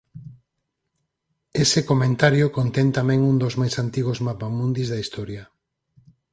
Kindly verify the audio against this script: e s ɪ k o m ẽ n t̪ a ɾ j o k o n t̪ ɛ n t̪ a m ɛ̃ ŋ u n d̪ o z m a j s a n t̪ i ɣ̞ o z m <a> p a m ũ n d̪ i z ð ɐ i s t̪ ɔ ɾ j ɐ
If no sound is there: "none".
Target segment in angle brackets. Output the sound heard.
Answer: a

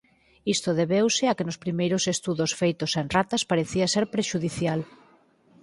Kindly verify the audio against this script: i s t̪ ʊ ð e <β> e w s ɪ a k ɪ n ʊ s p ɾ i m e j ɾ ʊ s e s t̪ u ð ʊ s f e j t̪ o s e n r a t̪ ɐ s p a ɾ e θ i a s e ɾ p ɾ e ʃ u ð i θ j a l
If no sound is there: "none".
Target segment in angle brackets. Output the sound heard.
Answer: β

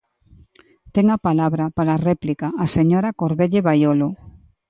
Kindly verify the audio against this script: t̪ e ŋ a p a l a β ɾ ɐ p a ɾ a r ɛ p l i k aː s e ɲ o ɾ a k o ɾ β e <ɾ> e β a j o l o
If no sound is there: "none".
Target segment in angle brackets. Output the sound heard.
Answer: ʎ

